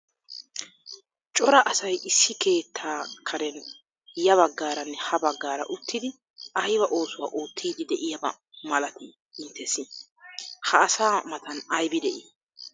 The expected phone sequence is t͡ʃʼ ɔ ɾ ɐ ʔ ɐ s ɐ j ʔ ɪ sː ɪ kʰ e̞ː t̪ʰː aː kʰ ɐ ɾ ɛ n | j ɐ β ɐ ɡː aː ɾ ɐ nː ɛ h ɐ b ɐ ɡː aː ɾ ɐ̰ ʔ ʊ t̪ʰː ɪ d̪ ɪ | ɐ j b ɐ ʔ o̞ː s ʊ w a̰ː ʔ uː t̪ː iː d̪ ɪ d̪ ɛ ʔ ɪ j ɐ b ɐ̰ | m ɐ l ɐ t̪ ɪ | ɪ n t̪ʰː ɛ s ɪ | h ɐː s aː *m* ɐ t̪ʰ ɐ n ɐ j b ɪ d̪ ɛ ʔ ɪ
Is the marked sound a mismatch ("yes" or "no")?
no